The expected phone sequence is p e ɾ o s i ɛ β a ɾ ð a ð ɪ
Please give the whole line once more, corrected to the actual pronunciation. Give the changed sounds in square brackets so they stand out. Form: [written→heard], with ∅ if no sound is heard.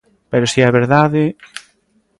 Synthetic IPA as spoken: p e ɾ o s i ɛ β [a→e] ɾ ð a ð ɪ